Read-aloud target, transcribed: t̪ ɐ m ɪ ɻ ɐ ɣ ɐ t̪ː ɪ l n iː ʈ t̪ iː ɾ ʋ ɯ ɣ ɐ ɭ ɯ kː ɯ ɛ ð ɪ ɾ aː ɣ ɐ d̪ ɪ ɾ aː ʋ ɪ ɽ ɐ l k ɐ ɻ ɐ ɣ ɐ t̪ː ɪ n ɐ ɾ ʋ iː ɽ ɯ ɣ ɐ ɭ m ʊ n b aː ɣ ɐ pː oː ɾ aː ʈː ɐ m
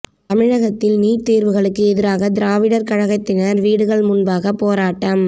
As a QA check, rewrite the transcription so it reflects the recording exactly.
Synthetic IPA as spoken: t̪ ɐ m ɪ ɻ ɐ ɣ ɐ t̪ː ɪ l n iː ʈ t̪ iː ɾ ʋ ɯ ɣ ɐ ɭ ɯ kː ɯ ɛ ð ɪ ɾ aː ɣ ɐ d̪ ɪ ɾ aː ʋ ɪ ɽ ɐ ɾ k ɐ ɻ ɐ ɣ ɐ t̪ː ɪ n ɐ ɾ ʋ iː ɽ ɯ ɣ ɐ ɭ m ʊ n b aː ɣ ɐ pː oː ɾ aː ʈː ɐ m